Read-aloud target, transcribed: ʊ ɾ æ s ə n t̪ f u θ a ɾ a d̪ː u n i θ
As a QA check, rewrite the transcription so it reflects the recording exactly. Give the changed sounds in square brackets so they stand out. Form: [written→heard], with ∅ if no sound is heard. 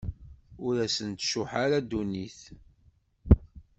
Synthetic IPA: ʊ ɾ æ s ə n t̪ [f→ʃ] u [θ→ħ] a ɾ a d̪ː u n i θ